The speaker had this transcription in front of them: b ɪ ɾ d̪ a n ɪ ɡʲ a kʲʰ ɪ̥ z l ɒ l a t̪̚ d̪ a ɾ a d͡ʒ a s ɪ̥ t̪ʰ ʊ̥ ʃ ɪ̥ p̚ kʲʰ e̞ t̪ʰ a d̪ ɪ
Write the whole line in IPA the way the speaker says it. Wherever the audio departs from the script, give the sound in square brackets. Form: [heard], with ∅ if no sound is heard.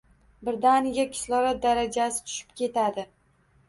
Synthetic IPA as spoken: b ɪ ɾ d̪ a n ɪ ɡʲ a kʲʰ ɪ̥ [s] l ɒ [ɾ] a t̪̚ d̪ a ɾ a d͡ʒ a s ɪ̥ t̪ʰ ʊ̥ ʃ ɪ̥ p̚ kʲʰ e̞ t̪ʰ a d̪ ɪ